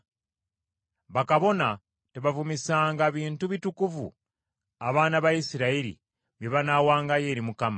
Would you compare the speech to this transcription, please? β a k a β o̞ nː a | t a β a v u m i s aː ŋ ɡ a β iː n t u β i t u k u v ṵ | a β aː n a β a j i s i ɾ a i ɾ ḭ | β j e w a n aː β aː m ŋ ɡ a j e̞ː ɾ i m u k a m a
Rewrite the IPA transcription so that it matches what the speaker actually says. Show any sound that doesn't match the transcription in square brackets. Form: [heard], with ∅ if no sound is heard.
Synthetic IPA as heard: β a k a β o̞ [n] a | t [e] β a v u m i s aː ŋ ɡ a β iː n t u β i t u k u v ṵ | a β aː n a β a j i s i ɾ a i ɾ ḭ | β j e [β] a n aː [w] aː [∅] ŋ ɡ a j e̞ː ɾ i m u k a m a